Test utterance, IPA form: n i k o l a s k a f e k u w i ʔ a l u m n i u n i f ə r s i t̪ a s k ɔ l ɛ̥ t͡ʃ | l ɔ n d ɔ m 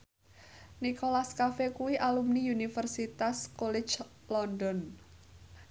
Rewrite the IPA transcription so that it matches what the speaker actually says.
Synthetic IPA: n i k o l a s k a f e k u w i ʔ a l u m n i u n i f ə r s i t̪ a s k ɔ l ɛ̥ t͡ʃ | l ɔ n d ɔ n